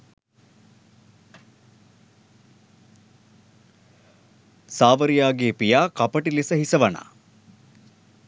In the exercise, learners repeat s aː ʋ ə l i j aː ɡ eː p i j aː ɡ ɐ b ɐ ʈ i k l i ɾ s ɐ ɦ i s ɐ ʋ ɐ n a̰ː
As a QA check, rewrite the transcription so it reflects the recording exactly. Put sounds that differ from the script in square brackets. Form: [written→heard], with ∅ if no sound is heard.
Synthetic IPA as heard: s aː ʋ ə [l→ɾ] i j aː ɡ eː p i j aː [ɡ→k] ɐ [b→p] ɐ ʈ i [k→∅] l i [ɾ→∅] s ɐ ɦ i s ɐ ʋ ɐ n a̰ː